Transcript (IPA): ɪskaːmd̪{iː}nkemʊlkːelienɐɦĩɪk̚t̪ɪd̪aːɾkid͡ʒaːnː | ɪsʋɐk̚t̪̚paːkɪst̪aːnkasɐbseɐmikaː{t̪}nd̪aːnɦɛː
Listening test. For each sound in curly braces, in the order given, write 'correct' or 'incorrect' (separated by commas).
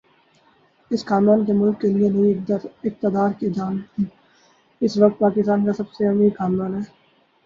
incorrect, incorrect